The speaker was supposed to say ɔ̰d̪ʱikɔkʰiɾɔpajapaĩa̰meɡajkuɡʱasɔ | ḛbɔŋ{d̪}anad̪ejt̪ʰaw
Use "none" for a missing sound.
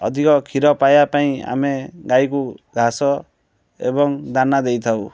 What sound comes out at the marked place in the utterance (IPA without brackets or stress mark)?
d̪